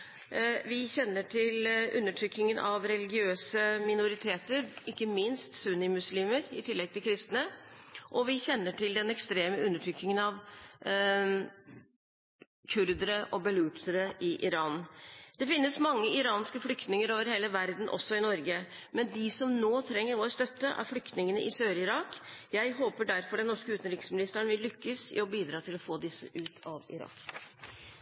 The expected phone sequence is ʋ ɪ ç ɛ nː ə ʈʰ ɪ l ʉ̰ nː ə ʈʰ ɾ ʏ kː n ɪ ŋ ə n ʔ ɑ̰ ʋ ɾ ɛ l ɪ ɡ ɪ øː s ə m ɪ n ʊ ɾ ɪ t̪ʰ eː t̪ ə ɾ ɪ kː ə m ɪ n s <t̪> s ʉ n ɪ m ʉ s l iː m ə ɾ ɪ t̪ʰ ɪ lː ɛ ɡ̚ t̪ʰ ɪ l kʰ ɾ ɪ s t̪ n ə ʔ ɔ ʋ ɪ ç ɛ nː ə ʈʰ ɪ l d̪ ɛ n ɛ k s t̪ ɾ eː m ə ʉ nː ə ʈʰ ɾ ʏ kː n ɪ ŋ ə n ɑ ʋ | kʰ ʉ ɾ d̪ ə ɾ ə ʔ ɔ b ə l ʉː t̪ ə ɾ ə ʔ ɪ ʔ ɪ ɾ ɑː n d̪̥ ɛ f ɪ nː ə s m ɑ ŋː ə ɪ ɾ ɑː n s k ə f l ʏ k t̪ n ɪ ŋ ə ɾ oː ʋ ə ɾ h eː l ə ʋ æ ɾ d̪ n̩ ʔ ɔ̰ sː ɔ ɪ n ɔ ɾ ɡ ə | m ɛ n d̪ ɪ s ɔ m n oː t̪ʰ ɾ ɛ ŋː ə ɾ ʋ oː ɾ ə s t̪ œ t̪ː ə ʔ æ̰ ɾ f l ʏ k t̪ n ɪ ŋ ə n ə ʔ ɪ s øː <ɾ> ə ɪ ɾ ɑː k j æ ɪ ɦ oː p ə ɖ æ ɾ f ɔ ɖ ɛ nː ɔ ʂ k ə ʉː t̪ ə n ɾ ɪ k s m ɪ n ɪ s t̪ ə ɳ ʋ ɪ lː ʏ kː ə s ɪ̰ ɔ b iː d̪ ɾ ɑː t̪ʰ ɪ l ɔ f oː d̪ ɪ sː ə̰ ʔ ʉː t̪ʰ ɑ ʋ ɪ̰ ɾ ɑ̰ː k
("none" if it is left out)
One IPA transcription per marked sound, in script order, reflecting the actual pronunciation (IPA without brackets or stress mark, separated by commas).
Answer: t̪, ɾ